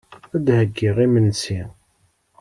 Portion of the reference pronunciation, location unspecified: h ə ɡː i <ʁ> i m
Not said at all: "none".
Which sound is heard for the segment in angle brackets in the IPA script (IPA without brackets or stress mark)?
ʁ